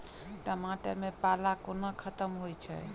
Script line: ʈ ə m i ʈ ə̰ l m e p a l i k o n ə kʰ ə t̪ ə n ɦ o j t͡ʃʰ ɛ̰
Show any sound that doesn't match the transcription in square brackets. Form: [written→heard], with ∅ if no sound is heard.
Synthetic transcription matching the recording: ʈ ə m [i→a] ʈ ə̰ [l→ɾ] m e p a l [i→a] k o n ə kʰ ə t̪ ə [n→m] ɦ o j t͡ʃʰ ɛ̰